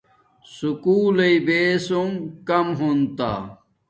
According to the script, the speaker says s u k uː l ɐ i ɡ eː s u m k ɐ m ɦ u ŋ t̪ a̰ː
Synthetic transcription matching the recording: s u k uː l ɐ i b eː s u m k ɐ m ɦ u n t̪ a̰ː